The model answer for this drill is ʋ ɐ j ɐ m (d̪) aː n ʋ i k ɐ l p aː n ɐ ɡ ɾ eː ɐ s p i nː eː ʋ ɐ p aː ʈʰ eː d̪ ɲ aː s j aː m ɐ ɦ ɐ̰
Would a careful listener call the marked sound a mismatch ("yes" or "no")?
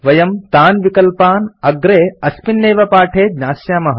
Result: yes